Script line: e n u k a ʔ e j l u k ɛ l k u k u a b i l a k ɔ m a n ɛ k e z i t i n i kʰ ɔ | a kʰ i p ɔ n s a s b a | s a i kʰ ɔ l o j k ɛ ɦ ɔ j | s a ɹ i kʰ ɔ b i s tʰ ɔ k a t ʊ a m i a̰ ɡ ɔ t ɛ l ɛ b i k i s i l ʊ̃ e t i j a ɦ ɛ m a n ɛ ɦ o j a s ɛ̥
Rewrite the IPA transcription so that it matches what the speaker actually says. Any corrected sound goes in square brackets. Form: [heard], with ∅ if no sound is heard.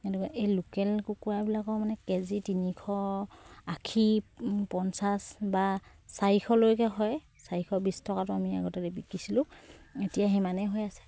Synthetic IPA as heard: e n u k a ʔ e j l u k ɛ l k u k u a b i l a k ɔ m a n ɛ k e z i t i n i kʰ ɔ | a kʰ i p ɔ n s a s b a | s a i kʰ ɔ l o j k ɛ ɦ ɔ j | s a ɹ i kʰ ɔ b i s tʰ ɔ k a t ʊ a m i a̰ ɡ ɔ t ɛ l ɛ b i k i s i l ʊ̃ e t i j a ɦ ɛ m a n ɛ ɦ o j a s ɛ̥